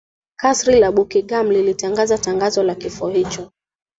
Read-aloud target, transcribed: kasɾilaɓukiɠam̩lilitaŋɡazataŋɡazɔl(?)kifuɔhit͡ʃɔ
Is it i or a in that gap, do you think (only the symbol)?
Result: a